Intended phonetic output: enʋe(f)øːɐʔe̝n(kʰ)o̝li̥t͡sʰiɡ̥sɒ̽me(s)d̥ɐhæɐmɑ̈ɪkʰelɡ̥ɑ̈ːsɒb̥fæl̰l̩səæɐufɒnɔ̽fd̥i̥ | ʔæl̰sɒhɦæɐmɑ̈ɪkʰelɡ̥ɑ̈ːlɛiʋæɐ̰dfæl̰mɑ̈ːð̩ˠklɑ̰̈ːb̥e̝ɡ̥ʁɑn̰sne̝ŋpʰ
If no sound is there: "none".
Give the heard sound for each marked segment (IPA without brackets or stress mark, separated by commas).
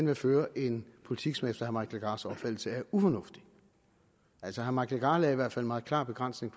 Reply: f, pʰ, f